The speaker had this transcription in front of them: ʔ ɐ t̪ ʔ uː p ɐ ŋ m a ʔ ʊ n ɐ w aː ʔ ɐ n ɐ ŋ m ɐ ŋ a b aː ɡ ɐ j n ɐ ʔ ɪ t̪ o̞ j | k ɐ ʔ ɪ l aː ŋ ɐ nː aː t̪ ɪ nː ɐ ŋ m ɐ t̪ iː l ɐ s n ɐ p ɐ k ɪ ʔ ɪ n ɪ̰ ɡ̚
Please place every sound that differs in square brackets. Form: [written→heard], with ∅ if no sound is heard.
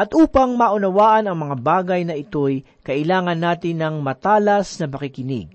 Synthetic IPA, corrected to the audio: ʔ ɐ t̪ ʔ uː p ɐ ŋ m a ʔ ʊ n ɐ w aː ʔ ɐ n ɐ ŋ m ɐ ŋ a b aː ɡ ɐ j n ɐ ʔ ɪ t̪ o̞ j | k ɐ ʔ ɪ l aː ŋ ɐ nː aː t̪ ɪ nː ɐ ŋ m ɐ t̪ [iː→aː] l ɐ s n ɐ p ɐ k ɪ [ʔ→k] ɪ n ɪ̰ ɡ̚